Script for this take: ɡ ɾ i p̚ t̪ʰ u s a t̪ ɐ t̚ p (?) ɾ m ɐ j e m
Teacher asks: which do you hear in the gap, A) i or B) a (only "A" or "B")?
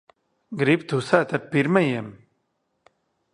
A